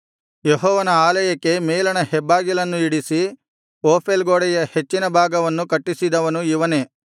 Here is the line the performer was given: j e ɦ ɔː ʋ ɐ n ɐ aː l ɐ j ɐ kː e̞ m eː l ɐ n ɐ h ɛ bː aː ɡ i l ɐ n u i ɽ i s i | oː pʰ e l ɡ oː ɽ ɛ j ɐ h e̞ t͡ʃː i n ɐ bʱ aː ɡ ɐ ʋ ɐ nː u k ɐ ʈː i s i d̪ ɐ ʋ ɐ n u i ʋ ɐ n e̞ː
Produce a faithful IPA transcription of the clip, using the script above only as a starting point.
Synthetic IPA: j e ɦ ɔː ʋ ɐ n ɐ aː l ɐ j ɐ kː e̞ m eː l ɐ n ɐ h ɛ bː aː ɡ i l ɐ nː u i ɽ i s i | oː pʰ e l ɡ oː ɽ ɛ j ɐ h e̞ t͡ʃː i n ɐ bʱ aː ɡ ɐ ʋ ɐ nː u k ɐ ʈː i s i d̪ ɐ ʋ ɐ n u i ʋ ɐ n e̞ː